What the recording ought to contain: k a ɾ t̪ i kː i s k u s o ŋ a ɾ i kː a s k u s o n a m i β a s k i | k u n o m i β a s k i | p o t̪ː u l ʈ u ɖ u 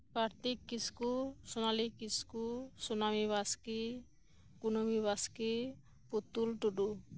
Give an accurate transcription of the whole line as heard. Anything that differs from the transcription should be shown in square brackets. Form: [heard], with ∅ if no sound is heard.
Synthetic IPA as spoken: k a ɾ t̪ i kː i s k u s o [n] a [l] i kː [i] s k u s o n a m i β a s k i | k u n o m i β a s k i | p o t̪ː u l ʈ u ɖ u

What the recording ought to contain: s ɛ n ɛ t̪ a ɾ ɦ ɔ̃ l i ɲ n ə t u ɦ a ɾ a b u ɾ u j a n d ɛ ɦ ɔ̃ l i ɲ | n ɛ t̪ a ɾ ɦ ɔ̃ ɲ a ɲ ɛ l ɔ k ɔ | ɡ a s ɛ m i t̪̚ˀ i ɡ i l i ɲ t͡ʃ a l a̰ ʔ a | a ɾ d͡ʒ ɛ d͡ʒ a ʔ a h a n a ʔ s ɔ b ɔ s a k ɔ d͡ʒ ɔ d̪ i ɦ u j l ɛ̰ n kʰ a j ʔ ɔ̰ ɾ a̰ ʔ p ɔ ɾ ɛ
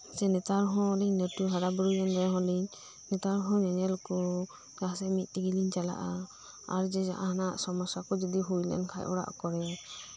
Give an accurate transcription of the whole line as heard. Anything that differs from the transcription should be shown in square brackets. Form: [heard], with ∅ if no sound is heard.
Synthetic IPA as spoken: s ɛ n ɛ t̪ a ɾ ɦ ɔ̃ l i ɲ n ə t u ɦ a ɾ a b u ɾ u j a n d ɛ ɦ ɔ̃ l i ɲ | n ɛ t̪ a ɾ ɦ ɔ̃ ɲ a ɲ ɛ l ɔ k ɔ | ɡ a s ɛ m i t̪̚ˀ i ɡ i l i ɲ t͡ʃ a l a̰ ʔ a | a ɾ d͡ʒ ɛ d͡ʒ a ʔ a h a n a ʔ s ɔ [m] ɔ s a k ɔ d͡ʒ ɔ d̪ i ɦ u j l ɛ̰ n kʰ a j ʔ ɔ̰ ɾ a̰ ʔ [k] ɔ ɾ ɛ

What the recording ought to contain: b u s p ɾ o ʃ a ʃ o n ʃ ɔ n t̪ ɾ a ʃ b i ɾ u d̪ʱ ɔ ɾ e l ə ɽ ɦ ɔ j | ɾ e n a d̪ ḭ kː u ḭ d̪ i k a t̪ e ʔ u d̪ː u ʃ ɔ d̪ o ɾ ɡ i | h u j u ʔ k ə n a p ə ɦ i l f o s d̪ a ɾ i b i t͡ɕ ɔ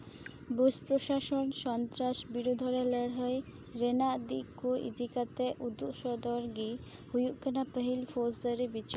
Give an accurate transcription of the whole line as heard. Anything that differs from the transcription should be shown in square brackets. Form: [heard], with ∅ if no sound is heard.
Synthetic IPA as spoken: b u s p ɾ o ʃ a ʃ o n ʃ ɔ n t̪ ɾ a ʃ b i ɾ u d̪ʱ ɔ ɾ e l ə ɽ ɦ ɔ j | ɾ e n a d̪ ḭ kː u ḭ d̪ i k a t̪ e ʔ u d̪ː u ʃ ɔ d̪ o ɾ ɡ i | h u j u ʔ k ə n a p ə ɦ i l f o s d̪ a ɾ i b i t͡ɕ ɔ

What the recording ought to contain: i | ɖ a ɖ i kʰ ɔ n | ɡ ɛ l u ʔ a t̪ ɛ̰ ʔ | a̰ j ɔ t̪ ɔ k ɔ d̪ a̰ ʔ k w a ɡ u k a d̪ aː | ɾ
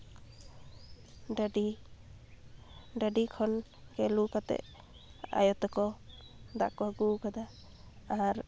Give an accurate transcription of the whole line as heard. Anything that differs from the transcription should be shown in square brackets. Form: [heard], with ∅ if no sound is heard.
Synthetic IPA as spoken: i | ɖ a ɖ i kʰ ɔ n | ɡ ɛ l u [k] a t̪ ɛ̰ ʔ | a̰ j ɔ t̪ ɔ k ɔ d̪ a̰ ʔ k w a ɡ u k a d̪ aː | ɾ

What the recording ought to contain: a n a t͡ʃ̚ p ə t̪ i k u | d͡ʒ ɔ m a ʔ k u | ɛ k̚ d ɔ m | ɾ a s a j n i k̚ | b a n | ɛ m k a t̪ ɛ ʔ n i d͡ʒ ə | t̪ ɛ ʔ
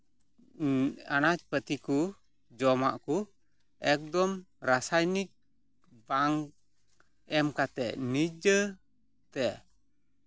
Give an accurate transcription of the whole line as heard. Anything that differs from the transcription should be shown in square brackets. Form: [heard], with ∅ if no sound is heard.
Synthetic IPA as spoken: a n a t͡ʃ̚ p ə t̪ i k u | d͡ʒ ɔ m a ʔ k u | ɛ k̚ d ɔ m | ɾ a s a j n i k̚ | b a [ŋ] | ɛ m k a t̪ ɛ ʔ n i d͡ʒ ə | t̪ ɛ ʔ

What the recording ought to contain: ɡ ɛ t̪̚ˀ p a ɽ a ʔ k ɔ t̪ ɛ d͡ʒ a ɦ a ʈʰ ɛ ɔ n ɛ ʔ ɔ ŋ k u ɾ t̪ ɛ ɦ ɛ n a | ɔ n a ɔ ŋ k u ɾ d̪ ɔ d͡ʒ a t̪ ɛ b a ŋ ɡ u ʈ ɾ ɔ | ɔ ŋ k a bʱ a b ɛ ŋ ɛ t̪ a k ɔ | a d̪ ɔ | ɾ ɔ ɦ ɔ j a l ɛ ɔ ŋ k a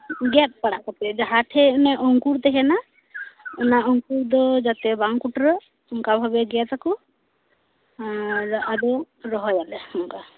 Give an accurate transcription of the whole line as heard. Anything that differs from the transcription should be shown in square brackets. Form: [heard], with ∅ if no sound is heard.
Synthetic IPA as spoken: ɡ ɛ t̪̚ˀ p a ɽ a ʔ k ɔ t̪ ɛ d͡ʒ a ɦ a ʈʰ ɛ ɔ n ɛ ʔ ɔ ŋ k u ɾ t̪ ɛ ɦ ɛ n a | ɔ n a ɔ ŋ k u ɾ d̪ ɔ d͡ʒ a t̪ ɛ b a ŋ [k] u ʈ ɾ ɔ | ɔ ŋ k a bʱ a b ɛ [ɡ] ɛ t̪ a k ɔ | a d̪ ɔ | ɾ ɔ ɦ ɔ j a l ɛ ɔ ŋ k a

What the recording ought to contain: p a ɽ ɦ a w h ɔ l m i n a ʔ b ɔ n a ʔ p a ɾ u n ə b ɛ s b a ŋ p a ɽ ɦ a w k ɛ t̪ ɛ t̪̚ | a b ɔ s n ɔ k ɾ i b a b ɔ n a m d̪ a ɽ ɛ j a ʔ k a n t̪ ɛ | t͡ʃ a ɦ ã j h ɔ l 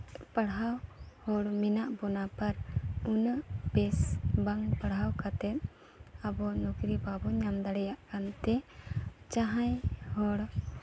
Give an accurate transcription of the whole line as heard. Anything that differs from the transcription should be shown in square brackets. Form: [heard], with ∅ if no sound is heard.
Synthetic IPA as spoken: p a ɽ ɦ a w h ɔ [ɽ] m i n a ʔ b ɔ n a [∅] p a ɾ u n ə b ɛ s b a ŋ p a ɽ ɦ a w k [a] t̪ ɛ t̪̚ | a b ɔ [∅] n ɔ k ɾ i b a b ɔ [ɲ] a m d̪ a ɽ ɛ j a ʔ k a n t̪ ɛ | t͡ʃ a ɦ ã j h ɔ [ɽ]

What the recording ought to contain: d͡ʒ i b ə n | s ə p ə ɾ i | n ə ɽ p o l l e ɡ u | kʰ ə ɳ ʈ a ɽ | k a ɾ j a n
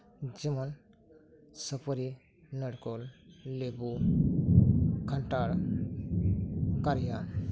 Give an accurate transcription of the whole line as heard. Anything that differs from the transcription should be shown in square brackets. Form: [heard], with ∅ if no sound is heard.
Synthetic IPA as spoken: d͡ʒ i [m] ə n | s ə p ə ɾ i | n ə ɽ [k] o l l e [b] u | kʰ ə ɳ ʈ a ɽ | k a ɾ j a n

